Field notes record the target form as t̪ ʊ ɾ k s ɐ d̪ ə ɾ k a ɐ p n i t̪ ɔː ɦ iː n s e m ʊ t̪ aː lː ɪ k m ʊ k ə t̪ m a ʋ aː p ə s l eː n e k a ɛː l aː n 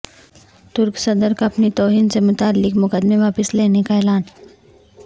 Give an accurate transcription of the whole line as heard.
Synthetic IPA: t̪ ʊ ɾ k s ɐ d̪ ə ɾ k a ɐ p n i t̪ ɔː ɦ iː n s e m ʊ t̪ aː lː ɪ k m ʊ k ə d̪ m e ʋ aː p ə s l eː n e k a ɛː l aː n